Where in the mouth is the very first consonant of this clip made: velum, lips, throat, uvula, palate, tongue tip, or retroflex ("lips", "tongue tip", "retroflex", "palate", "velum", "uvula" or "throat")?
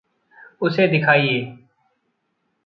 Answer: tongue tip